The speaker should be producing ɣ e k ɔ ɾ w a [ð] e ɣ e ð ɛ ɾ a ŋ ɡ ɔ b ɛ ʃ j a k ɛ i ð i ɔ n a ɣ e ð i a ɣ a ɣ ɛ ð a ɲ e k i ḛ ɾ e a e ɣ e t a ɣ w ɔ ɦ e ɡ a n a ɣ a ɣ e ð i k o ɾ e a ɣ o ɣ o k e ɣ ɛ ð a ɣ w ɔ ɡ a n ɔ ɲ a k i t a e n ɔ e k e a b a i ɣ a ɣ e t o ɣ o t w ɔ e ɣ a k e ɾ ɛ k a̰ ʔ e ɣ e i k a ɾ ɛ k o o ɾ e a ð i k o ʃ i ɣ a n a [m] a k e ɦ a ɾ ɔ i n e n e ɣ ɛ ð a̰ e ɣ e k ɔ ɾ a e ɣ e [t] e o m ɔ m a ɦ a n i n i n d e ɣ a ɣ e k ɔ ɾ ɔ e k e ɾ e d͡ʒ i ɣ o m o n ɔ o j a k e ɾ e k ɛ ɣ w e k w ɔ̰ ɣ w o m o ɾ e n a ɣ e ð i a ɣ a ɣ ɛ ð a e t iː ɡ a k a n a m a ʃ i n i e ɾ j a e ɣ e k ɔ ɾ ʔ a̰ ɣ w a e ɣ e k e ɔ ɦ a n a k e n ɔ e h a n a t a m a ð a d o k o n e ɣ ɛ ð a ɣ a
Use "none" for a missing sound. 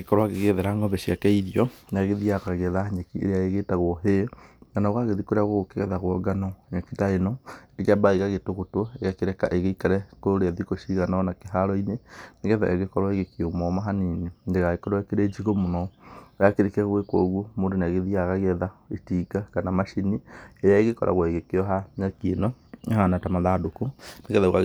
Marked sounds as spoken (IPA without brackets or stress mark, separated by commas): ɣ, n, k